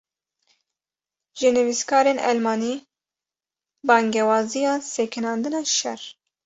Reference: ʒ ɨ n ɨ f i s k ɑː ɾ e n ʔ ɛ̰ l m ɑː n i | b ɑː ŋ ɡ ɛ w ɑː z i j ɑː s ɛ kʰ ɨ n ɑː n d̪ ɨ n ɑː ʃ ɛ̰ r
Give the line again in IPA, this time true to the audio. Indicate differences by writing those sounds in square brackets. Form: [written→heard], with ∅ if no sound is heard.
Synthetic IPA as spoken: ʒ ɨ n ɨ [f→v] i s k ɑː ɾ e n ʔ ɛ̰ l m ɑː n i | b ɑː ŋ ɡ ɛ w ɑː z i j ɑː s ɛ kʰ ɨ n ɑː n d̪ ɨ n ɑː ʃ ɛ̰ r